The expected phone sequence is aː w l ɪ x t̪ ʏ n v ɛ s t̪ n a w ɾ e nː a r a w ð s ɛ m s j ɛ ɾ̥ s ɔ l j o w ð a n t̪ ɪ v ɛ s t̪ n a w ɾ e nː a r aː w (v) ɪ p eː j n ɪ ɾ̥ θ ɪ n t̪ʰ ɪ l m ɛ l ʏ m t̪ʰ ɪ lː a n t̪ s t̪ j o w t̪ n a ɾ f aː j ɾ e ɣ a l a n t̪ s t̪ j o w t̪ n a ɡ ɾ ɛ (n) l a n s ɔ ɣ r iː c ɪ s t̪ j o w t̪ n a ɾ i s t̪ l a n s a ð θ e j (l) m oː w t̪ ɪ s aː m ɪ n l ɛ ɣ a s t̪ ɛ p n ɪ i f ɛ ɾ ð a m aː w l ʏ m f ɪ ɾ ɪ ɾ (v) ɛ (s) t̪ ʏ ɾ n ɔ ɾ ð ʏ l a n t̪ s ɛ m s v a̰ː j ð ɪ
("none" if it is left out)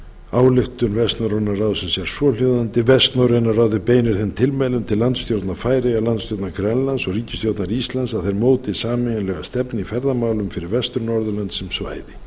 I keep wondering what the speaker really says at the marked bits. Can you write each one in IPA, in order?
ð, n, ɾ, v, s

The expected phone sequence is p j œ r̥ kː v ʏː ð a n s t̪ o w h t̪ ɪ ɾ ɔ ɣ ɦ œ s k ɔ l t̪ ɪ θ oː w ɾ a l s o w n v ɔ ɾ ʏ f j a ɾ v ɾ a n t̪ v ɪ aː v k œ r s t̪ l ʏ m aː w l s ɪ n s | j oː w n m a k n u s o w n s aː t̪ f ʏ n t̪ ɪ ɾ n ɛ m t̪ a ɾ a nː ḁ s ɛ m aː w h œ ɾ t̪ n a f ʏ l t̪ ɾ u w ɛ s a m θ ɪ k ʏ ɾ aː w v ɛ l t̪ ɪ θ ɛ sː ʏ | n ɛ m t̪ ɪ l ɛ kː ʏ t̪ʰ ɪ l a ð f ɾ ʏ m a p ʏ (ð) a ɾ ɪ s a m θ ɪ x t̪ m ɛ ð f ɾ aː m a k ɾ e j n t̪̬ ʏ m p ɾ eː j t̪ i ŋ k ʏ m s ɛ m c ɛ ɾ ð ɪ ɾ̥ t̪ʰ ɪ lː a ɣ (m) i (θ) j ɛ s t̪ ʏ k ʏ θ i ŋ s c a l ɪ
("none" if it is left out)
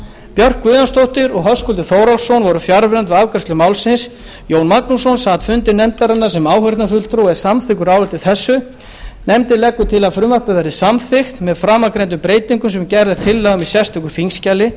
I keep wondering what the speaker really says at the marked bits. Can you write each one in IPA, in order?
ð, m, s

